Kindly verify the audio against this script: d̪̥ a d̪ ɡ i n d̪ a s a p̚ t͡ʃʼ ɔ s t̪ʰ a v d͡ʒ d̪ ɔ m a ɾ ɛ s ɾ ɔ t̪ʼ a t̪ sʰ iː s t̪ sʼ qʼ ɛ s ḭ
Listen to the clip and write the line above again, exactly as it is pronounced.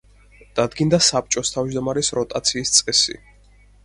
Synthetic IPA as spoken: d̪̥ a d̪ ɡ i n d̪ a s a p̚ t͡ʃʼ ɔ s t̪ʰ a v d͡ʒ d̪ ɔ m a ɾ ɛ s ɾ ɔ t̪ʼ a t̪ sʰ iː s t̪ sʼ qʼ ɛ s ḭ

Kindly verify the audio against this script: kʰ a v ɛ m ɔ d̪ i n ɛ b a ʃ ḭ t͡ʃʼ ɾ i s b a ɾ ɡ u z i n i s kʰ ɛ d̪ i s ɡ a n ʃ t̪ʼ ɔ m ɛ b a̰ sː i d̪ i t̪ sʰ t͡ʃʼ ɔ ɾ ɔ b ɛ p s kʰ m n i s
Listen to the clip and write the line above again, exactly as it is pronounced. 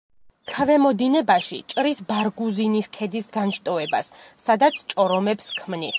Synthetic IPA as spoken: kʰ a v ɛ m ɔ d̪ i n ɛ b a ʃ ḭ t͡ʃʼ ɾ i s b a ɾ ɡ u z i n i s kʰ ɛ d̪ i s ɡ a n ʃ t̪ʼ ɔ ɛ b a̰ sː a d̪ a t̪ sʰ t͡ʃʼ ɔ ɾ ɔ m ɛ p s kʰ m n i s

